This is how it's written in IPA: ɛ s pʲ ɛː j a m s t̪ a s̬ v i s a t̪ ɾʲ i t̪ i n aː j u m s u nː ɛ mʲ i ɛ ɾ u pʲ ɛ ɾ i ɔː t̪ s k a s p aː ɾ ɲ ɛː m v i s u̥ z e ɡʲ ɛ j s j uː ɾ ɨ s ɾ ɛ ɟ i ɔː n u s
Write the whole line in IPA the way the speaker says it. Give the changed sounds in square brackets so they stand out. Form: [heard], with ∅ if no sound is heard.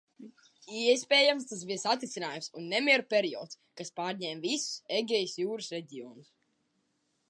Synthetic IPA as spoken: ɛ s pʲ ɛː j a m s t̪ a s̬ [b] i s a t̪ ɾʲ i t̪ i n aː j u m s u nː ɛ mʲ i ɛ ɾ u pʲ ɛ ɾ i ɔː t̪ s k a s p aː ɾ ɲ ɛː m v i s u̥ [s] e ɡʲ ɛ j s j uː ɾ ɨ s ɾ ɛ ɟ i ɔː n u s